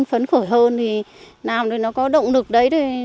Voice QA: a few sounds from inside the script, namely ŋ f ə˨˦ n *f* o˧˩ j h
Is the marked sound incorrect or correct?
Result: incorrect